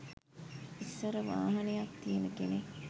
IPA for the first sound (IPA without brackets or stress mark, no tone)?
i